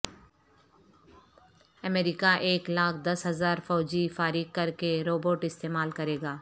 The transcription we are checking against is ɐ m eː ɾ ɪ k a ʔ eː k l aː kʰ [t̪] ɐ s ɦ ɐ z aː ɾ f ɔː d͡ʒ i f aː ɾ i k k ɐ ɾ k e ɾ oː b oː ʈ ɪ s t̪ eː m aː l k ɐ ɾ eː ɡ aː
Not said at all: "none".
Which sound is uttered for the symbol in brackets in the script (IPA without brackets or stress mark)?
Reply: d̪